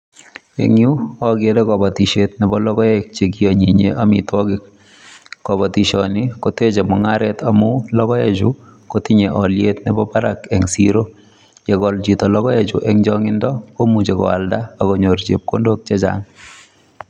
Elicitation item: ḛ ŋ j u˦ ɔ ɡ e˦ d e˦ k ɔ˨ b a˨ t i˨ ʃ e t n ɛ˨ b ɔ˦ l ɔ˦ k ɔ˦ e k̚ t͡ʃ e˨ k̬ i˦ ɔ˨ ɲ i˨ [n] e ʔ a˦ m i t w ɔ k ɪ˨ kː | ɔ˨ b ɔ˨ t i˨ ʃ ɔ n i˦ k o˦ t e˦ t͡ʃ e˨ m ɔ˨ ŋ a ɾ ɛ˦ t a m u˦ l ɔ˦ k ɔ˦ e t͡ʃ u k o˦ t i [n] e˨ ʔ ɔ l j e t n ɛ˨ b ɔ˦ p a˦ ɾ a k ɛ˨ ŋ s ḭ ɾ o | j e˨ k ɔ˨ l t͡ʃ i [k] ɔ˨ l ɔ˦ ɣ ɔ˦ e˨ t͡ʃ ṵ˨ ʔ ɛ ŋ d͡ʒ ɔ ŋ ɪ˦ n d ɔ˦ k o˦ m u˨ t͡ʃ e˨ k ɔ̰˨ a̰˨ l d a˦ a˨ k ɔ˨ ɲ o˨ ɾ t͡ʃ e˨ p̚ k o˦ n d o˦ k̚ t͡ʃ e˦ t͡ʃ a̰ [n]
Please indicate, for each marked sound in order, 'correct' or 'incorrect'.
incorrect: ɲ, incorrect: ɲ, incorrect: t, incorrect: ŋ

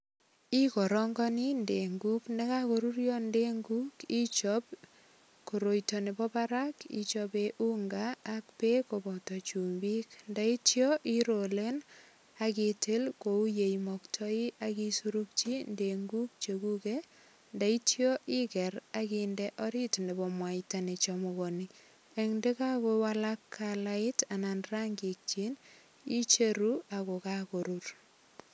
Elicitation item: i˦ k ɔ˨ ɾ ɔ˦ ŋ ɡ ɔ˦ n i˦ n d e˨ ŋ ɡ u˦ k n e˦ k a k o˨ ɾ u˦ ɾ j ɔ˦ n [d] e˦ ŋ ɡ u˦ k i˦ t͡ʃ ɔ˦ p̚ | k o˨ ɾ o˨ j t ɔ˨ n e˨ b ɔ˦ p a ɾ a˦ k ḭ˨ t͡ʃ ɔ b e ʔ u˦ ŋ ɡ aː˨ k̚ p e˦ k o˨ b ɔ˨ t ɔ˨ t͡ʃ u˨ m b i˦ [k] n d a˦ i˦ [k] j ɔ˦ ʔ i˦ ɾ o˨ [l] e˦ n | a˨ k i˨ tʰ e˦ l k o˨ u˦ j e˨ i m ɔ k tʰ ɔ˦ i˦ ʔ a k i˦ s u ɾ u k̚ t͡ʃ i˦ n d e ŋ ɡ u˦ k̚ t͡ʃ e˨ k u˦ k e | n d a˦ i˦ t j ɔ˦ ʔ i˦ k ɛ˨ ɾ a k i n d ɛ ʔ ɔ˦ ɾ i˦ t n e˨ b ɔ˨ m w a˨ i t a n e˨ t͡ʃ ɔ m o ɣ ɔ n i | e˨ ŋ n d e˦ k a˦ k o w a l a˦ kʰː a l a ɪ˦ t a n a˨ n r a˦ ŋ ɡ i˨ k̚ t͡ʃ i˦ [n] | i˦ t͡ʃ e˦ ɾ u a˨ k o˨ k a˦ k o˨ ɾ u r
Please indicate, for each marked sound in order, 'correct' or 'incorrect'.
correct, correct, incorrect: t, correct, correct

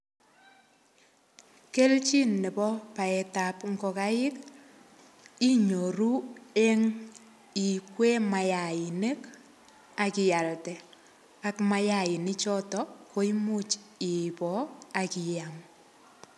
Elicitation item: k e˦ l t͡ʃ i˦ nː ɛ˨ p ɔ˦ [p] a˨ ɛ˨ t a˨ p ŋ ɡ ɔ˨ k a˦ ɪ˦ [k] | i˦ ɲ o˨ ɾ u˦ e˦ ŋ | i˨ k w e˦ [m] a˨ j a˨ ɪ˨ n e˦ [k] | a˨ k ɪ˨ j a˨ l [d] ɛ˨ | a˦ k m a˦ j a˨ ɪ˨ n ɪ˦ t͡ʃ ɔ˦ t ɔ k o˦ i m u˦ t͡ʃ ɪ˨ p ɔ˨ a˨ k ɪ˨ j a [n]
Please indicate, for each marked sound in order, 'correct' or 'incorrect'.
correct, correct, correct, correct, incorrect: t, incorrect: ŋ

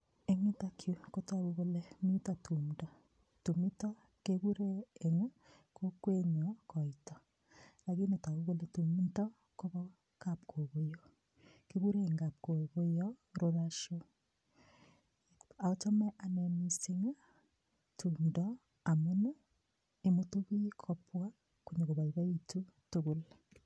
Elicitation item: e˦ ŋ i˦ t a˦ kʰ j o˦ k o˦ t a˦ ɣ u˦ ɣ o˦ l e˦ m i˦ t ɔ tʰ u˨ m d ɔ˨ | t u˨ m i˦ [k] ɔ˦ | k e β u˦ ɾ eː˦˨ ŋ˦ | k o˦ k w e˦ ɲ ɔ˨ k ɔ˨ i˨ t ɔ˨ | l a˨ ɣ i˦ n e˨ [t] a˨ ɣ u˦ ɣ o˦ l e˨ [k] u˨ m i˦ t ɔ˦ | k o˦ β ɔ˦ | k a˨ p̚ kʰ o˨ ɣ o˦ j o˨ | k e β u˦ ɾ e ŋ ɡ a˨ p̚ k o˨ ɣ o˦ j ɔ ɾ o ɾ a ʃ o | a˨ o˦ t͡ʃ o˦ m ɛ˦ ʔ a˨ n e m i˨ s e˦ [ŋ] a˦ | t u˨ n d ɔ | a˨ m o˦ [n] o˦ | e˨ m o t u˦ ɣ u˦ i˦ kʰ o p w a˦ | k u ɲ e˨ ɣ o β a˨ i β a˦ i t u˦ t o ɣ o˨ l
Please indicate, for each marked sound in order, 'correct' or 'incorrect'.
incorrect: t, correct, incorrect: t, correct, correct

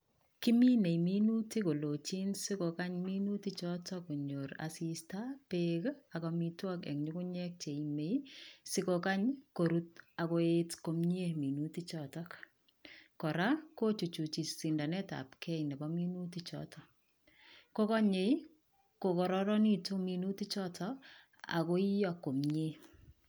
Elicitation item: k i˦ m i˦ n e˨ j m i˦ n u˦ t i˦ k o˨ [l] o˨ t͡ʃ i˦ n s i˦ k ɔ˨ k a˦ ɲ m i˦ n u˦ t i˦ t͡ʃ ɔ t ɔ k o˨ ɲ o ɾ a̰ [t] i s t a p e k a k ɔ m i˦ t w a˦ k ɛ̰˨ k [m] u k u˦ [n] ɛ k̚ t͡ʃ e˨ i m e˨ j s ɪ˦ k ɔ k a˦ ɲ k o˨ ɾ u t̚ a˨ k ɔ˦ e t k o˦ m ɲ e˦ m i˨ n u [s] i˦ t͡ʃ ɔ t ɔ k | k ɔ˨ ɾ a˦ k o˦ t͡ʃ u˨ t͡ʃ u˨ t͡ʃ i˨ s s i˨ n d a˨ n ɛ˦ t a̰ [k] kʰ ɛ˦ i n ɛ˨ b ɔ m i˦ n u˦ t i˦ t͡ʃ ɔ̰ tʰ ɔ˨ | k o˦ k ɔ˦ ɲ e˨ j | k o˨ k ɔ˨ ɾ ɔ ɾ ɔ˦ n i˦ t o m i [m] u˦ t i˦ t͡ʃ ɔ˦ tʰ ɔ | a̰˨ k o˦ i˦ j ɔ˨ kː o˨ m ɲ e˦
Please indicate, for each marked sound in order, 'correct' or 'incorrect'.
correct, incorrect: s, incorrect: ɲ, incorrect: ɲ, incorrect: t, incorrect: p, incorrect: n

